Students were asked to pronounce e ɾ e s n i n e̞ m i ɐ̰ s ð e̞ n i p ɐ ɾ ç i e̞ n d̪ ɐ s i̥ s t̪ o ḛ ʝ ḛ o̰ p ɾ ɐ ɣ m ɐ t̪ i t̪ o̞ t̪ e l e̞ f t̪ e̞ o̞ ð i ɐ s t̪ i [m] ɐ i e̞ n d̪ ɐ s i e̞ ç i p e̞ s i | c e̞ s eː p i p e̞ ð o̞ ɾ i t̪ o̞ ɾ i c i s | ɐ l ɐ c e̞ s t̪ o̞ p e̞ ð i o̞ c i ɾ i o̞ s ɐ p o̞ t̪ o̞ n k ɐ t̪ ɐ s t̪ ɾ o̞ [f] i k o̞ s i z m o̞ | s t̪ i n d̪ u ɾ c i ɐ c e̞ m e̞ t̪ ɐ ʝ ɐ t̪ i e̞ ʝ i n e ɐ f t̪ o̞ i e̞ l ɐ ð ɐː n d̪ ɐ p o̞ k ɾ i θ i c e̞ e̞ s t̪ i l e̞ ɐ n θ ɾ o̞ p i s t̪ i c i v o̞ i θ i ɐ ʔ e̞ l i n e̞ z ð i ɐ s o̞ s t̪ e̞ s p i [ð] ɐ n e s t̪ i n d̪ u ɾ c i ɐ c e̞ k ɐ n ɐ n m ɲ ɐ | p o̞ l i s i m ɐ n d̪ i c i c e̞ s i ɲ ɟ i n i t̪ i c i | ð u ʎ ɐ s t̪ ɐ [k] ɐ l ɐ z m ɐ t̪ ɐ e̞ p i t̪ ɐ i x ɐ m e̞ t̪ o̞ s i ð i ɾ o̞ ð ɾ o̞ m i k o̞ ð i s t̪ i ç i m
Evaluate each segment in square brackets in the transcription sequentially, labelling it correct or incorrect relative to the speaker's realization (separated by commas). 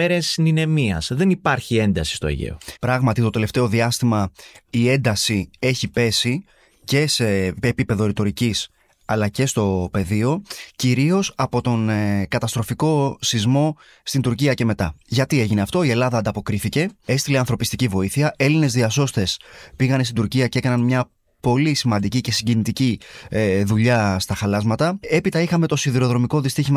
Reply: correct, correct, incorrect, incorrect